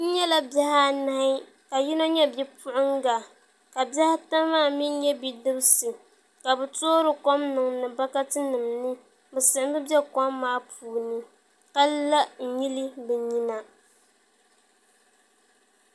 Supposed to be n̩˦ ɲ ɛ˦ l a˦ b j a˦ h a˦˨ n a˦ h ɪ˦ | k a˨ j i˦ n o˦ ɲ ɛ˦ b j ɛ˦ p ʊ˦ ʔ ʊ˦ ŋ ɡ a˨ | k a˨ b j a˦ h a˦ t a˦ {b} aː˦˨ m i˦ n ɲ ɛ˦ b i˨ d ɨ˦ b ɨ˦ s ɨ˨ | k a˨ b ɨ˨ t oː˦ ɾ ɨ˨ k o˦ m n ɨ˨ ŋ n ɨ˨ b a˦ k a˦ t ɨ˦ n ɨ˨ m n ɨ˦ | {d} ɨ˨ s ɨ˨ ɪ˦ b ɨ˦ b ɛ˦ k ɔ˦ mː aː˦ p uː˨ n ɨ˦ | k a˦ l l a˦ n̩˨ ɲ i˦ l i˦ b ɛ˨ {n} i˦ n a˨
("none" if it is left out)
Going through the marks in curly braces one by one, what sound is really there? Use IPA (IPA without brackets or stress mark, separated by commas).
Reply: m, b, ɲ